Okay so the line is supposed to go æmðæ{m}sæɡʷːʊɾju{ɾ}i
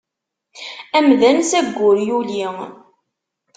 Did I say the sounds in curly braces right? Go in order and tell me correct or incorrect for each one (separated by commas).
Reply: incorrect, incorrect